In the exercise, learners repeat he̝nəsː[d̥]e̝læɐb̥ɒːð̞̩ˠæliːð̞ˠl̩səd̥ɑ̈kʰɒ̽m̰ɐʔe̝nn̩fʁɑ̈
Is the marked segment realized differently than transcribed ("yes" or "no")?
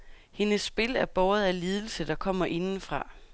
yes